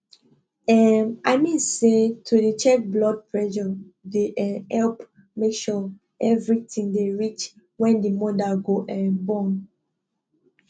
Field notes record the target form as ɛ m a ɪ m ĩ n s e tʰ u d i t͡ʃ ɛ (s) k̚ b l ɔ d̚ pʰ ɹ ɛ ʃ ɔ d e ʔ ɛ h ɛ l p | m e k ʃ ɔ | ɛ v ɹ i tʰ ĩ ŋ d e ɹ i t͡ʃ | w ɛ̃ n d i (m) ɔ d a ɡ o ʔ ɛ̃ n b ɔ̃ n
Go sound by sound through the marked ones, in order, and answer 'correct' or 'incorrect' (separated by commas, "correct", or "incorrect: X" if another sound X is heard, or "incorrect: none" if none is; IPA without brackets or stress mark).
incorrect: none, correct